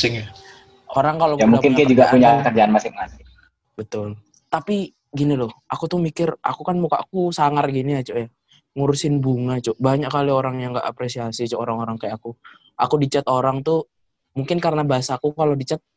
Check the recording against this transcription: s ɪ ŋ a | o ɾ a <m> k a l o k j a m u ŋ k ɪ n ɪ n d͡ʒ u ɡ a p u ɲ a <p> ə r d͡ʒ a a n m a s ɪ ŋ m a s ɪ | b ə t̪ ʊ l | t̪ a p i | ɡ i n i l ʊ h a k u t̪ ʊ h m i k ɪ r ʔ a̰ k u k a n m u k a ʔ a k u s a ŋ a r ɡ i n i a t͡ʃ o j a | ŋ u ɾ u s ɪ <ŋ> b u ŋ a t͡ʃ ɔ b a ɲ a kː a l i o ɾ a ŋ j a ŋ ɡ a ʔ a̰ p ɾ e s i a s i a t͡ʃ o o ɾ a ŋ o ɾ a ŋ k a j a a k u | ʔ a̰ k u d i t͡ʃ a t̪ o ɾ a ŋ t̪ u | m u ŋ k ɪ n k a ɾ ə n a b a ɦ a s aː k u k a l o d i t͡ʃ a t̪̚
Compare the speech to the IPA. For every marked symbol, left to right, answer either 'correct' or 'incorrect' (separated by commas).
incorrect, incorrect, incorrect